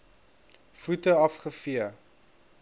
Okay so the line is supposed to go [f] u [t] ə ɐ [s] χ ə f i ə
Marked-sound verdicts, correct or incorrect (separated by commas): correct, correct, incorrect